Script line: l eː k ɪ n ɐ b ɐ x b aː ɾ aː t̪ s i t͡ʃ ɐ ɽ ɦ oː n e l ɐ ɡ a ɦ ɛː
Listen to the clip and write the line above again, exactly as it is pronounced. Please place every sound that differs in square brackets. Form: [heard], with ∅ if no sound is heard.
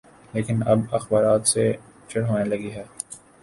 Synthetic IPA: l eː k ɪ n ɐ b ɐ x b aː ɾ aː t̪ s [e] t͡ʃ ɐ ɽ ɦ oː n e l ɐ ɡ [i] ɦ ɛː